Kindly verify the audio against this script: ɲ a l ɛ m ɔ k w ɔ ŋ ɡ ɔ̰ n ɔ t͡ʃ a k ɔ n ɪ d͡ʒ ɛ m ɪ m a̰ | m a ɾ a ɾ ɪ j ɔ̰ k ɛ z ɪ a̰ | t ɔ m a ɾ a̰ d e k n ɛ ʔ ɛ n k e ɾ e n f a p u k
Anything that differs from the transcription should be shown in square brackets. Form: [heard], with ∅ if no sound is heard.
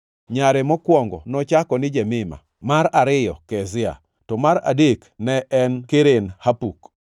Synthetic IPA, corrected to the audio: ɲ a [ɾ] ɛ m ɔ k w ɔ ŋ ɡ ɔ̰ n ɔ t͡ʃ a k ɔ n ɪ d͡ʒ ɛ m ɪ m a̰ | m a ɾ a ɾ ɪ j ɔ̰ k ɛ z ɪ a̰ | t ɔ m a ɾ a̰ d e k n ɛ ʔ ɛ n k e ɾ e n [h] a p u k